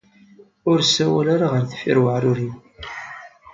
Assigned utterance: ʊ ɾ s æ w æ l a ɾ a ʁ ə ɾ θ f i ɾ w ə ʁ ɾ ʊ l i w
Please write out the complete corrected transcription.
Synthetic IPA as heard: ʊ ɾ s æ w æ l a ɾ a ʁ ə ɾ θ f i ɾ w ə ʕ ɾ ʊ ɾ i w